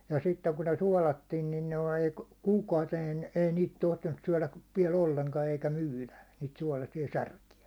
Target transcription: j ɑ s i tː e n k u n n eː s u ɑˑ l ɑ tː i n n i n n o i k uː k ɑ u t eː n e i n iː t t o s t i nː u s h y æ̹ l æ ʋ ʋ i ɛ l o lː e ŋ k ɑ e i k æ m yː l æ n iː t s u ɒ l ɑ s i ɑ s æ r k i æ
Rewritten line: j ɑ s i tː e ŋ k u n n e s u ɑˑ l ɑ tː i n n i n n o i k uː k ɑ u t eː n e i n iː t t o h t i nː u s s y æ̹ l æ ʋ ʋ i ɛ l o lː e ŋ k ɑ e i k æ m yː l æ n iː t s u ɒ l ɑ s i ɑ s æ r k i æ

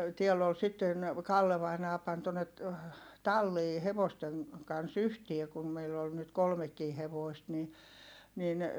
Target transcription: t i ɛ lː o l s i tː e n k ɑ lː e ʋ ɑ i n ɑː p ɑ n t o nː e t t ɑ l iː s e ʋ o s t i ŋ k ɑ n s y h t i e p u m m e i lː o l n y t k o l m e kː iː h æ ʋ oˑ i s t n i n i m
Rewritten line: t i ɛ lː o l s i tː e n k ɑ lː e ʋ ɑ i n ɑː p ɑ n t o nː e t t ɑ lː iː h e ʋ o s t e ŋ k ɑ n s y h t i e k u m m e i lː o l n y t k o l m e kː iː h e ʋ oˑ i s t n i n i n

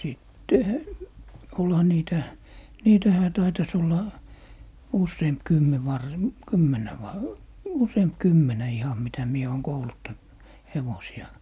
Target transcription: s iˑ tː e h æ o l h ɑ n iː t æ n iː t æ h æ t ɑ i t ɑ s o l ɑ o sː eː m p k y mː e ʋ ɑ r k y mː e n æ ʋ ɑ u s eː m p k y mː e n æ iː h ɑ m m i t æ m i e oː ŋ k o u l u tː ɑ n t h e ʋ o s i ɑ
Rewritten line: s iˑ tː e h æ o l h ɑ n iː t æ n iː t æ h æ t ɑ i t ɑ s o lː ɑ u sː eː m p k y mː e ʋ ɑ r k y mː e n æ ʋ ɑ u s eː m p k y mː e n æ i h ɑ m m i t æ m i e oː ŋ k o u l u tː ɑ n t h e ʋ o s i ɑ

